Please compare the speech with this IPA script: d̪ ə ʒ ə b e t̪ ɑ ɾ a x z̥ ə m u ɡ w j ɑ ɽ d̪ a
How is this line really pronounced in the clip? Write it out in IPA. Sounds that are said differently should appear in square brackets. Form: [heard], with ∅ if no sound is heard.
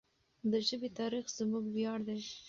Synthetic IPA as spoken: d̪ ə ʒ ə b e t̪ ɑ ɾ [i] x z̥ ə m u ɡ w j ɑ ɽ d̪ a